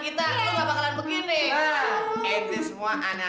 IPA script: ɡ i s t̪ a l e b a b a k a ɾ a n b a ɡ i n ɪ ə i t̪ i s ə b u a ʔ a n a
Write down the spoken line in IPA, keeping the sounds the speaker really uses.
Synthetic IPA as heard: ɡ i t̪ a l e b a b a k a l a n b ə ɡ i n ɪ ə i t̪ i s ə m u a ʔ a n a